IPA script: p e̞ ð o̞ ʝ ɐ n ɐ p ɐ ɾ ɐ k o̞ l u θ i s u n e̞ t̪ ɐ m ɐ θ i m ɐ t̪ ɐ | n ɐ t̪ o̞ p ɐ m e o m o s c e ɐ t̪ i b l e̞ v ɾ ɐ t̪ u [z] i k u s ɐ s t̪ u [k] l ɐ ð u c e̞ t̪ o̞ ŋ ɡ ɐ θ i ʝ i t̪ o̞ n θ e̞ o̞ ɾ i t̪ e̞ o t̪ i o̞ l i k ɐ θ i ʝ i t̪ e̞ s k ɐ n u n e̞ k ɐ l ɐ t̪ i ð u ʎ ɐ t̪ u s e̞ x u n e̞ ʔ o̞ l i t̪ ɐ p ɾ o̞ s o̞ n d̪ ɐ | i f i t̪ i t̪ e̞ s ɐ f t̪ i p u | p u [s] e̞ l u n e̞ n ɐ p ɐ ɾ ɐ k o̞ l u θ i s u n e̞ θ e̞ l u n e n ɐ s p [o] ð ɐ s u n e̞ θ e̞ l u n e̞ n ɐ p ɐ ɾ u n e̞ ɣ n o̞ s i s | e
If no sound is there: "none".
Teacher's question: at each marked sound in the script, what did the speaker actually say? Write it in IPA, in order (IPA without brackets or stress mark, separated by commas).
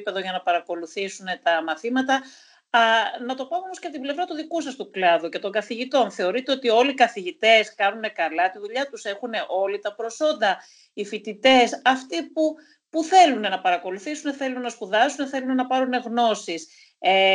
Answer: ð, k, θ, u